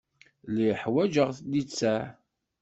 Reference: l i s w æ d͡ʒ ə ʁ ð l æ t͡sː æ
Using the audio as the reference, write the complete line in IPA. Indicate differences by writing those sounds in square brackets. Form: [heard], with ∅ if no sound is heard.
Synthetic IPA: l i [ħ] w æ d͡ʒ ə ʁ [θ] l [i] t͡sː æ